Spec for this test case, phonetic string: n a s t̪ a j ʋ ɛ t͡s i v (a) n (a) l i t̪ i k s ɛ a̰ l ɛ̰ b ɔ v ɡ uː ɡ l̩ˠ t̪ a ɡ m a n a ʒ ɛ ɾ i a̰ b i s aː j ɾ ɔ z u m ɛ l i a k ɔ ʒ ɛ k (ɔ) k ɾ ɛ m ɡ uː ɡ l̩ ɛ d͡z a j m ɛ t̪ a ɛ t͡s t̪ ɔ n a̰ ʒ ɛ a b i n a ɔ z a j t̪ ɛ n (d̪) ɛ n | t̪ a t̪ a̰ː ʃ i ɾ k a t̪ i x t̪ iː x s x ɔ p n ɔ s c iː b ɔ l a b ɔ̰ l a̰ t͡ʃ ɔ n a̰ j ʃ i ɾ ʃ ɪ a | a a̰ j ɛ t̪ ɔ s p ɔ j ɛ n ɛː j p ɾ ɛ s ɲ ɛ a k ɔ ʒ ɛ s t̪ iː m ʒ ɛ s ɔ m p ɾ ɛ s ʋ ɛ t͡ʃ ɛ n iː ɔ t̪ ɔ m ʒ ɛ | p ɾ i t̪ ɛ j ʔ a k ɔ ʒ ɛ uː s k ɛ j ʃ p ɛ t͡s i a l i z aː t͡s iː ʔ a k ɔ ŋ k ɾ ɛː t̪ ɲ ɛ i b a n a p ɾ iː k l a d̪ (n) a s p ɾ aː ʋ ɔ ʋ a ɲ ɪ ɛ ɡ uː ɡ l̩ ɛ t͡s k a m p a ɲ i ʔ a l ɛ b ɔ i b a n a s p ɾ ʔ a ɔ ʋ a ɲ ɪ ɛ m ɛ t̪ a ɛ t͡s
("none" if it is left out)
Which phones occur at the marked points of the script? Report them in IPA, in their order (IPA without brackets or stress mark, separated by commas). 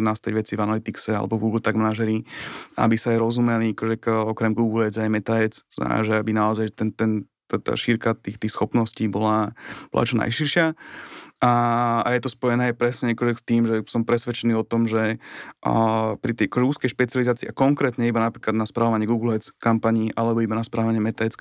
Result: a, a, ɔ, t̪, n